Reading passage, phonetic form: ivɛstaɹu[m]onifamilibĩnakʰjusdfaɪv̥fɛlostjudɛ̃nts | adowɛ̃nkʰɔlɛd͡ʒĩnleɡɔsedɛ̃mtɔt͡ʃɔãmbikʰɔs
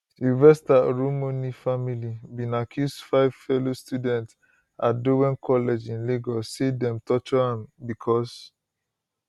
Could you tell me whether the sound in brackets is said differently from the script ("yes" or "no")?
no